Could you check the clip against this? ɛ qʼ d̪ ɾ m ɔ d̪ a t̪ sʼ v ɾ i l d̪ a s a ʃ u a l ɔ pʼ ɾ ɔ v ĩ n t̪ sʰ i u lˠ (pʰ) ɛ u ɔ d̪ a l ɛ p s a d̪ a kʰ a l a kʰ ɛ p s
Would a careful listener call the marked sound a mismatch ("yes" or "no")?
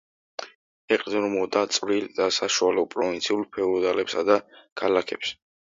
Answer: no